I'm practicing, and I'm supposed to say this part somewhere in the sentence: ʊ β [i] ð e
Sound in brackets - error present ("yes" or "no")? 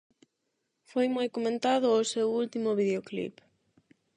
no